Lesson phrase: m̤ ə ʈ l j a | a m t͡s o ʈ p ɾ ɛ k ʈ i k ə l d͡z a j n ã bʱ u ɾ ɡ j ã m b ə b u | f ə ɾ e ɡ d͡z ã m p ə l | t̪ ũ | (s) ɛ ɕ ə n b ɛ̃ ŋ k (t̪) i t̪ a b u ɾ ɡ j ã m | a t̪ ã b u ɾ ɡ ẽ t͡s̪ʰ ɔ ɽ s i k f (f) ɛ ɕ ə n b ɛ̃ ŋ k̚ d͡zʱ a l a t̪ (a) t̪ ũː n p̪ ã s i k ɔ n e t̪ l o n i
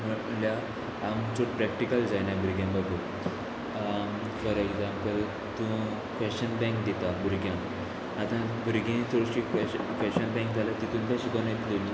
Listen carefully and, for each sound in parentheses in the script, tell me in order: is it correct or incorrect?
incorrect: f, incorrect: d̪, correct, incorrect: i

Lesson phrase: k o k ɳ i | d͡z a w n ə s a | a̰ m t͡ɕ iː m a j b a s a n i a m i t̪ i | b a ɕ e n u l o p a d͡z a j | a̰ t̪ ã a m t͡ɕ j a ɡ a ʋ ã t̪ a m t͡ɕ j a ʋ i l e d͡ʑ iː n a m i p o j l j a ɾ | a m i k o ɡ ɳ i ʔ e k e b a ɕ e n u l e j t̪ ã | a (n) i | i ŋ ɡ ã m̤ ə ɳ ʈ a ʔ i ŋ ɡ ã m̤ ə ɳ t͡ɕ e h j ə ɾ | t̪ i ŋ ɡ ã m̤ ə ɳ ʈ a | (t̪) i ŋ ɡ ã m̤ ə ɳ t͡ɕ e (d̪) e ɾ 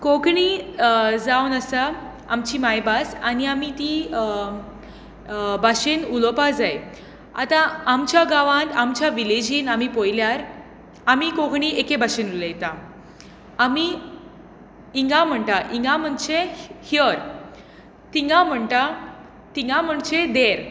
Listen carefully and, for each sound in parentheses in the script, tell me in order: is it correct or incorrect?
incorrect: m, correct, correct

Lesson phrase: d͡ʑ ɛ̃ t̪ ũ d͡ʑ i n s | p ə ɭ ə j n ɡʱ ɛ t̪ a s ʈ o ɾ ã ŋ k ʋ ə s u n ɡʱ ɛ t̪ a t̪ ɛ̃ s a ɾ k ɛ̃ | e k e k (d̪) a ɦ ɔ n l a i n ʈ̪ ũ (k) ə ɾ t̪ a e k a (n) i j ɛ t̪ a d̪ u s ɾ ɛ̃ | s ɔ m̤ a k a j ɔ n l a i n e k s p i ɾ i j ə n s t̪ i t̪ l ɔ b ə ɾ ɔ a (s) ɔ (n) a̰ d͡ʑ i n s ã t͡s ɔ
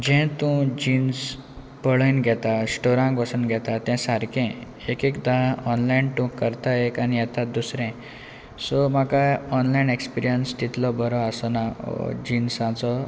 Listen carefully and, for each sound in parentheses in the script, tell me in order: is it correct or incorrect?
correct, correct, correct, correct, correct

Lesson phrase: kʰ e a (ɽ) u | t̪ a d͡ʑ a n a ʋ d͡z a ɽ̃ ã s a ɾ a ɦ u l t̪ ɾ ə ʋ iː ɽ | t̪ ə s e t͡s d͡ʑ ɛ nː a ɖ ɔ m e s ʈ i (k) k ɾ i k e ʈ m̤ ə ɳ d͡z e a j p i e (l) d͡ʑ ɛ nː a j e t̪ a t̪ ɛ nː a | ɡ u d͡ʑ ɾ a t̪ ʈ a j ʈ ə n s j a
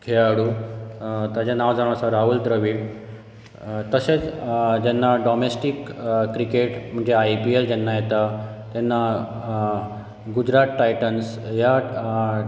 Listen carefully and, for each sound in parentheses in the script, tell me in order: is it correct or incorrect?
correct, correct, correct

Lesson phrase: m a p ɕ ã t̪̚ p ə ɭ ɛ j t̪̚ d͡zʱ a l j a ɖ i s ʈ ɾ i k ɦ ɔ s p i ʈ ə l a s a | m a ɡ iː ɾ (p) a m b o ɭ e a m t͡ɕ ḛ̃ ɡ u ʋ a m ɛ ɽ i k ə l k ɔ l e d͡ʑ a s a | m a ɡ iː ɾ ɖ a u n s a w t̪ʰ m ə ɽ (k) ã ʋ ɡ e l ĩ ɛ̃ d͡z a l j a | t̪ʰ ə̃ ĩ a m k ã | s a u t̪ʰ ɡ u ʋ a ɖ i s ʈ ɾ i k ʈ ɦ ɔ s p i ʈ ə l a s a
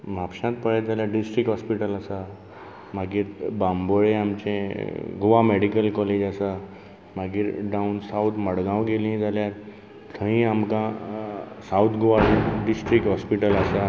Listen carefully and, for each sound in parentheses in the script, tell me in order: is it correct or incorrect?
incorrect: b, incorrect: ɡ

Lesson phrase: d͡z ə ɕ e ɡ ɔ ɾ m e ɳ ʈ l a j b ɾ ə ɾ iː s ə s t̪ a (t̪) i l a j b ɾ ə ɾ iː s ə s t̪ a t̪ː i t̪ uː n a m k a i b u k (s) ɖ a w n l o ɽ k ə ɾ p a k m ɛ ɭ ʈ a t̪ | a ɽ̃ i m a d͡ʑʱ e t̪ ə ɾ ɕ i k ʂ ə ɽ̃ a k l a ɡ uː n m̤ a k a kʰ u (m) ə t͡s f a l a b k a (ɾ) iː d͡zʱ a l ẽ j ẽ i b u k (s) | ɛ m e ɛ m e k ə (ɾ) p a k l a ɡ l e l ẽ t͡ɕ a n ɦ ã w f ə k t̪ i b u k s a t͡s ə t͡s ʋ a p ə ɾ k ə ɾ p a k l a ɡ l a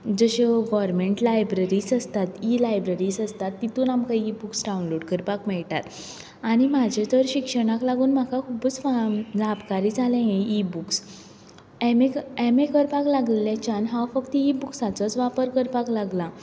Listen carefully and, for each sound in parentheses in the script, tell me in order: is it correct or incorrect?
correct, correct, incorrect: b, correct, correct, correct

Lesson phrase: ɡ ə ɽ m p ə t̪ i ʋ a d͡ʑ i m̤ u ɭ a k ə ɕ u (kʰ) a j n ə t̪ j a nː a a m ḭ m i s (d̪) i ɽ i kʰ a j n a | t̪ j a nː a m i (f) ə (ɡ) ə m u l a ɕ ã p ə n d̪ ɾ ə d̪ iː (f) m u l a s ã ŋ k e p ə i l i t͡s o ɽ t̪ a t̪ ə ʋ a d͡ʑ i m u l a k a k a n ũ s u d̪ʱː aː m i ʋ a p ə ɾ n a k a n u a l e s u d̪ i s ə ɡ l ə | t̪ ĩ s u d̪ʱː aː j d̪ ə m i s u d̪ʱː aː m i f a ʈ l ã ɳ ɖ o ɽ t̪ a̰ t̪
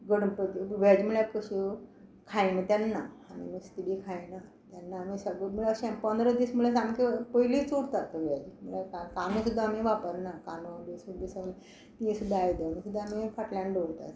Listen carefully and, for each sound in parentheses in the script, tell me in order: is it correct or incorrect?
correct, incorrect: t̪, incorrect: s, correct, incorrect: s

